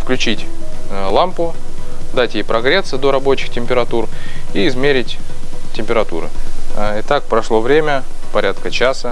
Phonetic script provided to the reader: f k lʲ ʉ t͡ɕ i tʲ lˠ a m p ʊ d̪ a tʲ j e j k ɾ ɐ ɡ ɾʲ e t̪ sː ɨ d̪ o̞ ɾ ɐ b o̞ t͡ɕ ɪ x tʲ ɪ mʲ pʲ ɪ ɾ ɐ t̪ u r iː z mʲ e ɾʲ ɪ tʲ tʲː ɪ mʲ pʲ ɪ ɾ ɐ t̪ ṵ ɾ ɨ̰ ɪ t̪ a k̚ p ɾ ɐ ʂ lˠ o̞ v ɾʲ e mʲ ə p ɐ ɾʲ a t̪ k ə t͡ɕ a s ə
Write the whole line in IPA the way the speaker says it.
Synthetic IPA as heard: f k lʲ ʉ t͡ɕ i tʲ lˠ a m p ʊ d̪ a tʲ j e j p ɾ ɐ ɡ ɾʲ e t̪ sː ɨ d̪ o̞ ɾ ɐ b o̞ t͡ɕ ɪ x tʲ ɪ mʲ pʲ ɪ ɾ ɐ t̪ u r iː z mʲ e ɾʲ ɪ tʲ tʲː ɪ mʲ pʲ ɪ ɾ ɐ t̪ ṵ ɾ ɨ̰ ɪ t̪ a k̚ p ɾ ɐ ʂ lˠ o̞ v ɾʲ e mʲ ə p ɐ ɾʲ a t̪ k ə t͡ɕ a s ə